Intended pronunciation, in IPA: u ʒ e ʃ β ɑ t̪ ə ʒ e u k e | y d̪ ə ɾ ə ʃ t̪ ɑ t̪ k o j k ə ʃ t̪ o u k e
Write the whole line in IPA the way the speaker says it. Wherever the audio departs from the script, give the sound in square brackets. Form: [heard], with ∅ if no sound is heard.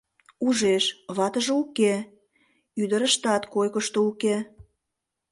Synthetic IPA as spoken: u ʒ e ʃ β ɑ t̪ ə ʒ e u k e | y d̪ ə ɾ ə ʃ t̪ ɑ t̪ k o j k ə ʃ t̪ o u k e